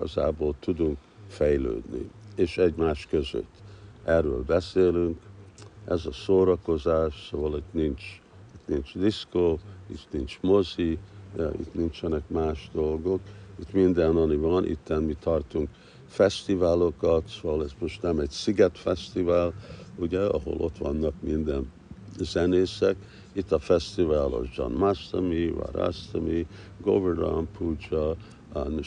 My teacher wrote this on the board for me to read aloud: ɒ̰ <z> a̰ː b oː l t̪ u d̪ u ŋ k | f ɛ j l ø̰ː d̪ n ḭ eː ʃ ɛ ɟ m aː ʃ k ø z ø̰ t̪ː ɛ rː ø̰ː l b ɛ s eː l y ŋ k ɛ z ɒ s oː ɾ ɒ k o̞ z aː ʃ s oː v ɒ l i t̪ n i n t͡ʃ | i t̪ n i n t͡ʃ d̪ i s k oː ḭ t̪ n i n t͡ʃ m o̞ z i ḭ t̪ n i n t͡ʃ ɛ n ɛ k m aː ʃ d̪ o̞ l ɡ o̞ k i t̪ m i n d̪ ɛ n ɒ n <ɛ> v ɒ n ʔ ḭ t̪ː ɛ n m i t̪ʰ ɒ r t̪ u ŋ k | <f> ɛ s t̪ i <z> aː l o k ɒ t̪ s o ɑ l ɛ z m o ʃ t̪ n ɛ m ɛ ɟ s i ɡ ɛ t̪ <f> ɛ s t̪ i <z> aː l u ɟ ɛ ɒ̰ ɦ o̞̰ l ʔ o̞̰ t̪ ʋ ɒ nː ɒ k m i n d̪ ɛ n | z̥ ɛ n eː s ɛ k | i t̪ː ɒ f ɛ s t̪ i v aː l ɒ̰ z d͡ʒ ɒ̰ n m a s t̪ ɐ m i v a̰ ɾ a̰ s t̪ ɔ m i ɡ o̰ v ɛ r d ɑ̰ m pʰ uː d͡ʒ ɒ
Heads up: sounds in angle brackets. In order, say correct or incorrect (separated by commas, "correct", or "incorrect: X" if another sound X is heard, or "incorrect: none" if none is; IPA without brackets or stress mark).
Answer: correct, incorrect: i, correct, incorrect: v, correct, incorrect: v